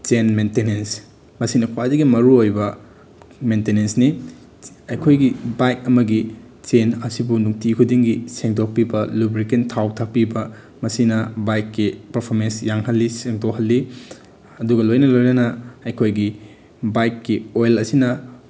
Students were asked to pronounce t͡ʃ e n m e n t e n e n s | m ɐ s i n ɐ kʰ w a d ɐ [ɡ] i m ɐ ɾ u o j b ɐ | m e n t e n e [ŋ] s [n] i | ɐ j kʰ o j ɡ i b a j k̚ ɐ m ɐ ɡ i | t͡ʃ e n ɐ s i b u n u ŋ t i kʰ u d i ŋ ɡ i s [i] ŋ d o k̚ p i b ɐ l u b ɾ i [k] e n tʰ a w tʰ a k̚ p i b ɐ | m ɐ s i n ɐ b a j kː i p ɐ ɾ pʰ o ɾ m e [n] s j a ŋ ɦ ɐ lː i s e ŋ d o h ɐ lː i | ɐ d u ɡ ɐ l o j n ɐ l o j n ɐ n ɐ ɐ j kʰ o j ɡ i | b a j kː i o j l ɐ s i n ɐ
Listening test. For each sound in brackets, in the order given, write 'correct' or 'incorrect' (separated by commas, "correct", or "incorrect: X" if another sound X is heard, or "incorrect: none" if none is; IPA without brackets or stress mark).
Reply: correct, incorrect: n, correct, incorrect: e, correct, correct